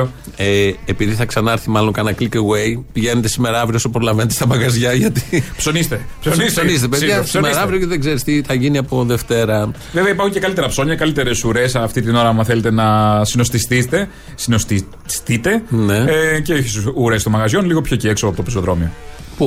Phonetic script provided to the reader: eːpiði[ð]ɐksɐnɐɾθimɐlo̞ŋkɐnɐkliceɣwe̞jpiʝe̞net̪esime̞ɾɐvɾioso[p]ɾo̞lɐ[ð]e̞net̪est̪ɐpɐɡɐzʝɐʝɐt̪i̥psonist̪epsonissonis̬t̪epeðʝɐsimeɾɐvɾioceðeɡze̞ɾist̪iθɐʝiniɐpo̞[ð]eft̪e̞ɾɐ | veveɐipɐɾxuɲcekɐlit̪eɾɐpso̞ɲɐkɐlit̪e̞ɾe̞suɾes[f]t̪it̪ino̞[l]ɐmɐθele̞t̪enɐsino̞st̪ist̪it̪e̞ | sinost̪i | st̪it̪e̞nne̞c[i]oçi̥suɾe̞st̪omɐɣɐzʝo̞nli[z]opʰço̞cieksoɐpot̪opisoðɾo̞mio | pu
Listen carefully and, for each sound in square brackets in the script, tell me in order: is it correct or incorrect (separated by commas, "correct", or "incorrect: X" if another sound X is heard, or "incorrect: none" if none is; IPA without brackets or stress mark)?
incorrect: θ, correct, incorrect: v, correct, correct, incorrect: ɾ, incorrect: e, incorrect: ɣ